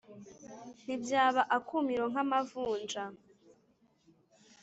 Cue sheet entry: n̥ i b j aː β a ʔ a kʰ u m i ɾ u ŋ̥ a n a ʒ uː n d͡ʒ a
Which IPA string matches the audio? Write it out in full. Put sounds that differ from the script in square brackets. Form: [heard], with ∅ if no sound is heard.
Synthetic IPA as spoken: n̥ i b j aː β a ʔ a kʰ u m i ɾ [o] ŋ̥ a [m] a [v] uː n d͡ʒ a